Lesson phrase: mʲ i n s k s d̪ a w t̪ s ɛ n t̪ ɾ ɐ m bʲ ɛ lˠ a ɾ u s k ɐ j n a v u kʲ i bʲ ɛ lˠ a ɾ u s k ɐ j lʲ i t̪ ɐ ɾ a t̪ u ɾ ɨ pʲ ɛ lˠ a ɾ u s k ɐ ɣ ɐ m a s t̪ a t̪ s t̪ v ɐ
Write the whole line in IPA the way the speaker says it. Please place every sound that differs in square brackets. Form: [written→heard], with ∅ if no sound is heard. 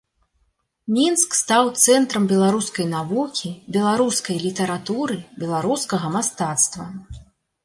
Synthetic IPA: mʲ i n s k s [d̪→t̪] a w t̪ s ɛ n t̪ ɾ ɐ m bʲ ɛ lˠ a ɾ u s k ɐ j n a v u kʲ i bʲ ɛ lˠ a ɾ u s k ɐ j lʲ i t̪ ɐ ɾ a t̪ u ɾ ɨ [pʲ→bʲ] ɛ lˠ a ɾ u s k ɐ ɣ ɐ m a s t̪ a t̪ s t̪ v ɐ